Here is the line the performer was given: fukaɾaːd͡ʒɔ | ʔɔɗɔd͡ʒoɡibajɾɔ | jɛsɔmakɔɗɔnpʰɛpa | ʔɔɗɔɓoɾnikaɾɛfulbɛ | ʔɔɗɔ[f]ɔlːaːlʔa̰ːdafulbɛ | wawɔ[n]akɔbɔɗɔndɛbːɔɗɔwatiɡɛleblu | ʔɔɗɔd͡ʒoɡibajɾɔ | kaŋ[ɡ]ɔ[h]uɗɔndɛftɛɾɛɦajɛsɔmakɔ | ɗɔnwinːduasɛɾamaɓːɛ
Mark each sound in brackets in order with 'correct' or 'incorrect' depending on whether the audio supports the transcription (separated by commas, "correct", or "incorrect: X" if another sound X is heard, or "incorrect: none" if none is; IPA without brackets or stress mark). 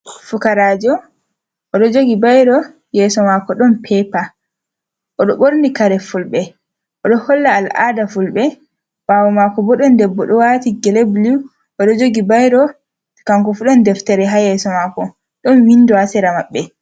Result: incorrect: h, incorrect: m, incorrect: k, incorrect: f